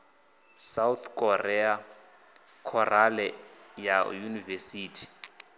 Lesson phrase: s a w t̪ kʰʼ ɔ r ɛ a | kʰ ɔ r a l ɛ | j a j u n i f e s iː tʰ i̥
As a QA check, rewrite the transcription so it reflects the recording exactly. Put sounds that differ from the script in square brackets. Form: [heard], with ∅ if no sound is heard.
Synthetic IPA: s a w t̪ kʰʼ ɔ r ɛ a | kʰ ɔ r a l ɛ | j a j u n i [v] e s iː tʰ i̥